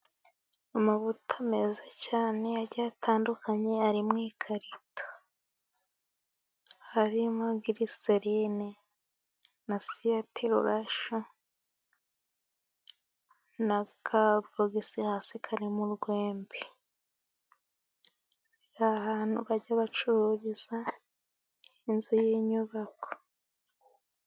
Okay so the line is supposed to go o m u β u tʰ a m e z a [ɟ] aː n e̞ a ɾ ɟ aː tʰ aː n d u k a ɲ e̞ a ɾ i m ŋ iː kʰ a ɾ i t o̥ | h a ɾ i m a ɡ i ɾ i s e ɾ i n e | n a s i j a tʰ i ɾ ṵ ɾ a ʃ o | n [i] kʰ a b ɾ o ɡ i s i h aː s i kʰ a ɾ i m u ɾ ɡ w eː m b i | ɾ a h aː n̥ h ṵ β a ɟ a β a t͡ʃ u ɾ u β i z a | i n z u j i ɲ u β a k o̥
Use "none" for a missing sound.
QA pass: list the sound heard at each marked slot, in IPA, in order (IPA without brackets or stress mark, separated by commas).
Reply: c, a